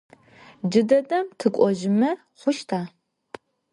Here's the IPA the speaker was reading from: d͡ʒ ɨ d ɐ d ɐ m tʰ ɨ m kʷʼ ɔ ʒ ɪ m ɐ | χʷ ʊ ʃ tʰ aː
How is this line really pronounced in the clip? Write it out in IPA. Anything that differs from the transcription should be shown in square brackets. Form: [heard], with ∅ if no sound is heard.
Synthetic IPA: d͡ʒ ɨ d ɐ d ɐ m tʰ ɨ [∅] kʷʼ ɔ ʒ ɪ m ɐ | χʷ ʊ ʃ tʰ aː